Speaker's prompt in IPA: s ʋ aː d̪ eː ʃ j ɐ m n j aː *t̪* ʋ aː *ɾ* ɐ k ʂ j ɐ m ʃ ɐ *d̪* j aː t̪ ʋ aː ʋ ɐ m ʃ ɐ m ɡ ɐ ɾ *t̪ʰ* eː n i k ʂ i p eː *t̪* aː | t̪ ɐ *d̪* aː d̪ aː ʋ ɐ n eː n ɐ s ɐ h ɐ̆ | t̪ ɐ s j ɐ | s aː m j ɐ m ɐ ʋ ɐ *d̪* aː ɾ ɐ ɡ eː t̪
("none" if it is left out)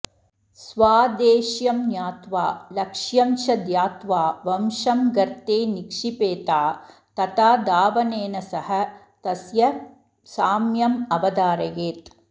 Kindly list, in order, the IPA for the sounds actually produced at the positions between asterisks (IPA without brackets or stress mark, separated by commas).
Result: t̪, l, d̪, t̪, t̪, t̪, d̪